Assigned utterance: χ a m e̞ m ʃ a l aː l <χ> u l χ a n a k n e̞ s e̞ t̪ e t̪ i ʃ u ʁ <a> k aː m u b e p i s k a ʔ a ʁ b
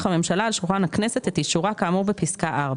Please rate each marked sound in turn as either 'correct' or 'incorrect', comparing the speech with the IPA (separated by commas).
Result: incorrect, correct